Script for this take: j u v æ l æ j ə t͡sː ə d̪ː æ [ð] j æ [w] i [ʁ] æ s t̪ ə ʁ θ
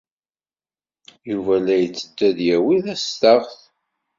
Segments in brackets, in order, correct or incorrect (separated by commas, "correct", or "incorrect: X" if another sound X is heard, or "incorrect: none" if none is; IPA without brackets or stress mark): correct, correct, incorrect: ð